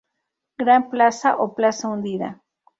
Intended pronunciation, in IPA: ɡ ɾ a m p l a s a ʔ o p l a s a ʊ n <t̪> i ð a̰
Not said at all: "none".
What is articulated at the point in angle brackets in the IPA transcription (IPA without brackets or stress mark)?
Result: d̪